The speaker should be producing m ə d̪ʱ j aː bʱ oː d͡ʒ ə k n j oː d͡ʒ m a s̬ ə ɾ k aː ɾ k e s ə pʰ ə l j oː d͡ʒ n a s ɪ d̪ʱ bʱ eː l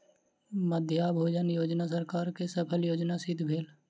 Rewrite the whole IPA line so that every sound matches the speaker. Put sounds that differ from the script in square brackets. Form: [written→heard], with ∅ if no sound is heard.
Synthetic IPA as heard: m ə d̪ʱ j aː bʱ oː d͡ʒ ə [k→∅] n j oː d͡ʒ [m→n] a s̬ ə ɾ k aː ɾ k e s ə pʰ ə l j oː d͡ʒ n a s ɪ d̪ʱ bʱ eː l